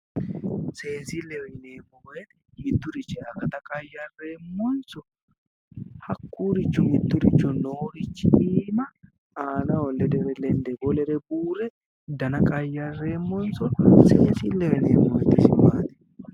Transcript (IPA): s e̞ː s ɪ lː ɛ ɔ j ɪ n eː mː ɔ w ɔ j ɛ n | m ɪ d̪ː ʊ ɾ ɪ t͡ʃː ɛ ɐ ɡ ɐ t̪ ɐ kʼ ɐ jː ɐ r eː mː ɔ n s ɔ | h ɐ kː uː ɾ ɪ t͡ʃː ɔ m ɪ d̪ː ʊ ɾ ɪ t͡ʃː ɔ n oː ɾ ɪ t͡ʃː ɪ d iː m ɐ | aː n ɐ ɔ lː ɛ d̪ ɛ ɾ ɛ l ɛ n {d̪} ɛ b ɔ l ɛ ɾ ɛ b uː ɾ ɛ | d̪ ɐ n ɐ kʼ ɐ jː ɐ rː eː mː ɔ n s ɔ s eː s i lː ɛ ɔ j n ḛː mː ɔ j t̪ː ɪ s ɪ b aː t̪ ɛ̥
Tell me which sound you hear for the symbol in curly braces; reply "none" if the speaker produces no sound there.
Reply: d̪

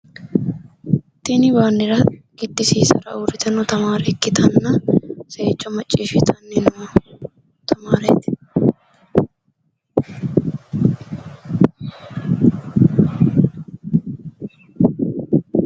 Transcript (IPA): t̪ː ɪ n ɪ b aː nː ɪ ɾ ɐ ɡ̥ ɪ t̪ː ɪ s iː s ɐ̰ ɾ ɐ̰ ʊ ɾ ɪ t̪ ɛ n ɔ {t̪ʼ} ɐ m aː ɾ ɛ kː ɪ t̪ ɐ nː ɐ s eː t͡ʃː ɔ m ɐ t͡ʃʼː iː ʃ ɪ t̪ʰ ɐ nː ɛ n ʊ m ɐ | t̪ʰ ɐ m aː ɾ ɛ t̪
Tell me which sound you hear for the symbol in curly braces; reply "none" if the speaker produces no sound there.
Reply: t̪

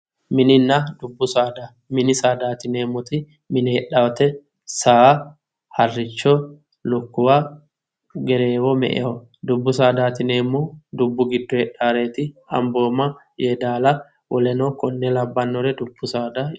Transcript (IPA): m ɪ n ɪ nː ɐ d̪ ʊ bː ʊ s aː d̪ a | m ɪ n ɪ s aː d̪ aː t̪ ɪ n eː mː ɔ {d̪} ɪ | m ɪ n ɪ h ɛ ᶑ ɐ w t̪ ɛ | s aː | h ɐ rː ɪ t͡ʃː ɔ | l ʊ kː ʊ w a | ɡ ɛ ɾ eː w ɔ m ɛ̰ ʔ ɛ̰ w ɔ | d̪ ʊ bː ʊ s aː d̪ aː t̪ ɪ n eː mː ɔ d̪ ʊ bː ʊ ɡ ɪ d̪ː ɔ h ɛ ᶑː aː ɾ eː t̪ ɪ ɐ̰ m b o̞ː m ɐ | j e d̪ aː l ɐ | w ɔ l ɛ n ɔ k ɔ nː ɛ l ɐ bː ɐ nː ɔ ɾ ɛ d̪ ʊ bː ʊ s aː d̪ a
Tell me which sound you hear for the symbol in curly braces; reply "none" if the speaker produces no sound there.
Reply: t̪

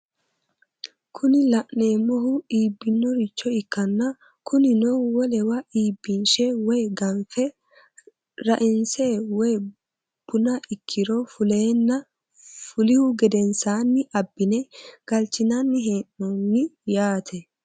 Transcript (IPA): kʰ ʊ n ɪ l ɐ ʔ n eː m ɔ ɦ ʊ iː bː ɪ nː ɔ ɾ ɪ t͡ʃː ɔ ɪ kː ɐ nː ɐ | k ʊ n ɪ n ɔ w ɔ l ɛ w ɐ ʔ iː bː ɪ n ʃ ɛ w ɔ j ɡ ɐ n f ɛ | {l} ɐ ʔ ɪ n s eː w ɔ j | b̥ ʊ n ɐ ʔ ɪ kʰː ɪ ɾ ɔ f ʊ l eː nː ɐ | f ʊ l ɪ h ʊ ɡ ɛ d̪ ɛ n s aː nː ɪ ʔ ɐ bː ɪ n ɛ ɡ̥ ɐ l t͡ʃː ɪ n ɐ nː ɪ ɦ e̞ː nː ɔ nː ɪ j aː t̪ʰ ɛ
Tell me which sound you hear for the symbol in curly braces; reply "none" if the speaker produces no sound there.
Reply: ɾ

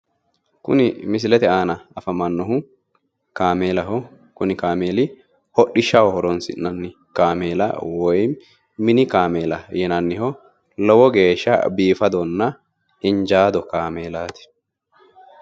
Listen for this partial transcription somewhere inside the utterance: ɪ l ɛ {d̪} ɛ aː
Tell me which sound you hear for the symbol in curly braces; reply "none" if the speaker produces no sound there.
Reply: t̪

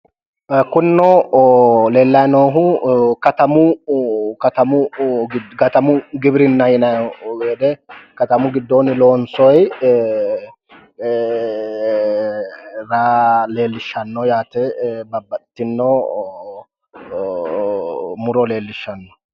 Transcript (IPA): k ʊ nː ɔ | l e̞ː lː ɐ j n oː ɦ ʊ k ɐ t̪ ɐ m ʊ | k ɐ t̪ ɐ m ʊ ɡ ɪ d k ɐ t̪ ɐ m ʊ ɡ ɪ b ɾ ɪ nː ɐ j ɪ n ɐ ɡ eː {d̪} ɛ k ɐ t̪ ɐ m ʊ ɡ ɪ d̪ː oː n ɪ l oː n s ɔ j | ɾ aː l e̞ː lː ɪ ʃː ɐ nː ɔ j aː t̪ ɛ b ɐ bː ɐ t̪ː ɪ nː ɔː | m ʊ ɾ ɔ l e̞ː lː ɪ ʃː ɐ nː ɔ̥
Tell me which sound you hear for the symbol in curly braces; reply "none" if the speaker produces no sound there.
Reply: d̪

